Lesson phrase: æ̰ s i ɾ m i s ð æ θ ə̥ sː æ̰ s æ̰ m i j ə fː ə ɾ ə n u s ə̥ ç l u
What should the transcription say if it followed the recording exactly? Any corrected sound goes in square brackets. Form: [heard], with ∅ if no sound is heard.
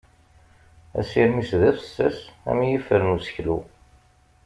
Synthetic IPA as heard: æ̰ s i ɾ m i s ð æ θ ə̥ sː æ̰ s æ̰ m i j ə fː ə ɾ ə n u s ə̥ ç l u